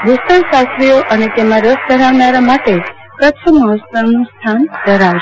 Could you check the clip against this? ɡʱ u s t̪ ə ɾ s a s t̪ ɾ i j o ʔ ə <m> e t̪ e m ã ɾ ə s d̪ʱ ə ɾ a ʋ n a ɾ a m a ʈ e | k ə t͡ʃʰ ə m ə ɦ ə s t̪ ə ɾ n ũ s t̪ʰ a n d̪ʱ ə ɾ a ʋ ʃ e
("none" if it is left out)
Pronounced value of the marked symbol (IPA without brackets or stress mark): n